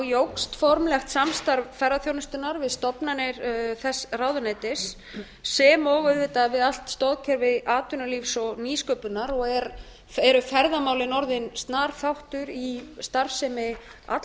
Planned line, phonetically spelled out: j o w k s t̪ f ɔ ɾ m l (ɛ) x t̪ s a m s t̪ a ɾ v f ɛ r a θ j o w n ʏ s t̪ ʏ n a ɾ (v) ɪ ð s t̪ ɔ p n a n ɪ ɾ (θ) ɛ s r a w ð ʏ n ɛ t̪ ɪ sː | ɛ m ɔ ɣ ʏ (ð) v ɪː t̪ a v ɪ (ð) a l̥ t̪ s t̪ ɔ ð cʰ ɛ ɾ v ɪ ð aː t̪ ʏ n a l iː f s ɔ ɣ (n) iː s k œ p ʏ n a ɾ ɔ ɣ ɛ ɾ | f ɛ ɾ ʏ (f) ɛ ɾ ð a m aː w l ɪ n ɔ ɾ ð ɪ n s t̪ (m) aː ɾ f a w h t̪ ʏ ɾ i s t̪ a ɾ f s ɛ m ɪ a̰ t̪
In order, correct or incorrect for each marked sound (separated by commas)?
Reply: correct, correct, correct, correct, correct, correct, correct, incorrect